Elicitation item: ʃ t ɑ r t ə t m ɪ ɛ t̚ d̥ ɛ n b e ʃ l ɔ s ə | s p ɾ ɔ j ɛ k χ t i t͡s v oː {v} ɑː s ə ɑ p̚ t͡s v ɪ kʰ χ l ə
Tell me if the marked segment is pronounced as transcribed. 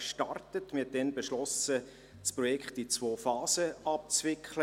no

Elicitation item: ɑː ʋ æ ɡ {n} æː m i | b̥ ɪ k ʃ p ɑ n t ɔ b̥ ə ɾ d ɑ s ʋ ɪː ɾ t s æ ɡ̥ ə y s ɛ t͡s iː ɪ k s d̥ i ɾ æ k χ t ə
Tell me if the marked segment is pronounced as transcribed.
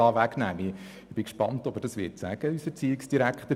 yes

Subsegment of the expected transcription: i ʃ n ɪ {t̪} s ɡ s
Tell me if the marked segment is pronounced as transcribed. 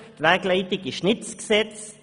yes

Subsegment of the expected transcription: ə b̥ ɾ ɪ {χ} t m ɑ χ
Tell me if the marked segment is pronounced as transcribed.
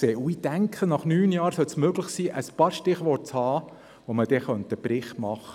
yes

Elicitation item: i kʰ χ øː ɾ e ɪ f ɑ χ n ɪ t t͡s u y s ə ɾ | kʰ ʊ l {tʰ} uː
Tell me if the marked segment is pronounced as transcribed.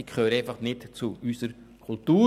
no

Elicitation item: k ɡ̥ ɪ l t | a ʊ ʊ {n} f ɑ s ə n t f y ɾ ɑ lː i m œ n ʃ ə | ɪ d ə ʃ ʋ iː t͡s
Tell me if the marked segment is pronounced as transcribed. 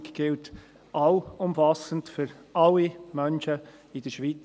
no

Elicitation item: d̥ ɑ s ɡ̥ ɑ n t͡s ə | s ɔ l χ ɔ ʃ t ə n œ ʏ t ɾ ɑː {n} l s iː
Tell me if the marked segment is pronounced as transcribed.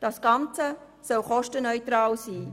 no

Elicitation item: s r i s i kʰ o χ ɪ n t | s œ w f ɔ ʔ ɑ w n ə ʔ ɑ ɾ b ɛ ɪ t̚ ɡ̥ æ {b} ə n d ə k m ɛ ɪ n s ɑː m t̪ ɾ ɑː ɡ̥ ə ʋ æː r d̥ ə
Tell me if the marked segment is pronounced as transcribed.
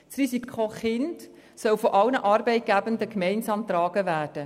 yes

